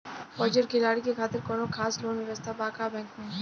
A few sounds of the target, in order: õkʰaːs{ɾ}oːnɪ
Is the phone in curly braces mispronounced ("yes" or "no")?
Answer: yes